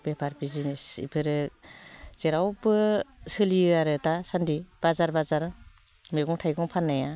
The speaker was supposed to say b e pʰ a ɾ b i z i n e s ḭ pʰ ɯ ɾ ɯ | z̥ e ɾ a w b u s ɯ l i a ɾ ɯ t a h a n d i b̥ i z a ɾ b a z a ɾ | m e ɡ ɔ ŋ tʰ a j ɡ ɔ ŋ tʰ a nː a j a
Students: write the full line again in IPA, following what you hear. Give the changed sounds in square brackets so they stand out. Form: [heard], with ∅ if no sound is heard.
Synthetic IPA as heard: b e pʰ a ɾ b i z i n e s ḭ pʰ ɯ ɾ ɯ | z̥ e ɾ a w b [ɯ] s ɯ l i a ɾ ɯ t a [s] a n d i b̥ [a] z a ɾ b a z a ɾ | m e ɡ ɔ ŋ tʰ a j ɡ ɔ ŋ [pʰ] a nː a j a